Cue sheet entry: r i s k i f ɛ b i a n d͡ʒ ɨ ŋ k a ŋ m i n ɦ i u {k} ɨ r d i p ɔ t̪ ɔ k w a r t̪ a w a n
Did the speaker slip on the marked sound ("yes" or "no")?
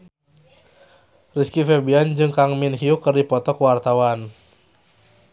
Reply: no